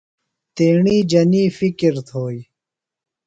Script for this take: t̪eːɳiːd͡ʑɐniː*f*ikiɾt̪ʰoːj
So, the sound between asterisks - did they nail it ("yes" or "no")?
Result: yes